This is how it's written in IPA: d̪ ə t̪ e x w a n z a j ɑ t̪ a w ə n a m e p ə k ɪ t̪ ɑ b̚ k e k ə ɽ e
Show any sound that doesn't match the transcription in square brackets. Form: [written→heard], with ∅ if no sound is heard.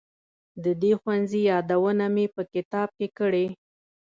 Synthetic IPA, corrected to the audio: d̪ ə [t̪→d̪] e x w a n z [a→i] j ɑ [t̪→d̪] a w ə n a m e p ə k ɪ t̪ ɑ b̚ k e k ə ɽ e